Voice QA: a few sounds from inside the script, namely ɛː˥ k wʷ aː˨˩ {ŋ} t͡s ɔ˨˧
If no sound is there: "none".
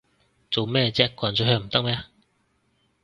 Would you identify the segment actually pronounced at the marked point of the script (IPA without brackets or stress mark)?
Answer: n